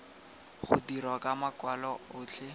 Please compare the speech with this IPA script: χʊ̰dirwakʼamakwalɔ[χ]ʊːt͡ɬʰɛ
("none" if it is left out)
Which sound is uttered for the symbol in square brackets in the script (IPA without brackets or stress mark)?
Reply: none